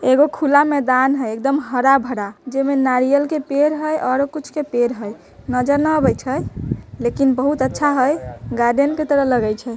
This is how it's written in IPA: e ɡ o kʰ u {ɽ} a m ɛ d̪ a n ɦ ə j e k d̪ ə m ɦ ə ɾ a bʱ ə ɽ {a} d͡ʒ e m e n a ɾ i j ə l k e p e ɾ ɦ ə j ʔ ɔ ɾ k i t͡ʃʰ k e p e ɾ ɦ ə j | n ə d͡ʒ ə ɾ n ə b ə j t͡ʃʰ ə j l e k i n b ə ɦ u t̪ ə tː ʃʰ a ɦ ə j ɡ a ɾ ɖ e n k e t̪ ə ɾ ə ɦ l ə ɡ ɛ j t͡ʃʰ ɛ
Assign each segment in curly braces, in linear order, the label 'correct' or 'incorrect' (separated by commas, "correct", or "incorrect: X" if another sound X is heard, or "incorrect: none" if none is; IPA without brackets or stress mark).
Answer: incorrect: l, correct